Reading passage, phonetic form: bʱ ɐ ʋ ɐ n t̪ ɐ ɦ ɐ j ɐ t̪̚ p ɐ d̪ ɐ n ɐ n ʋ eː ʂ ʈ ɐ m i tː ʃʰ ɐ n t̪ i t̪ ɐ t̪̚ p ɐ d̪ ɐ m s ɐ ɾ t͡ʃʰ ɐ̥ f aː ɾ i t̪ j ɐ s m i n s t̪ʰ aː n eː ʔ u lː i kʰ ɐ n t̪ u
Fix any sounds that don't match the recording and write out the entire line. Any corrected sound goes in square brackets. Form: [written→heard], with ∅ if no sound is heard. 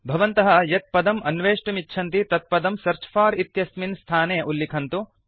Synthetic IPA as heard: bʱ ɐ ʋ ɐ n t̪ ɐ ɦ ɐ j ɐ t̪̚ p ɐ d̪ ɐ [n→m] ɐ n ʋ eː ʂ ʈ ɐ m i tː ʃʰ ɐ n t̪ i t̪ ɐ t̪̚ p ɐ d̪ ɐ m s ɐ ɾ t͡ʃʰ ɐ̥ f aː ɾ i t̪ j ɐ s m i n s t̪ʰ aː n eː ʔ u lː i kʰ ɐ n t̪ u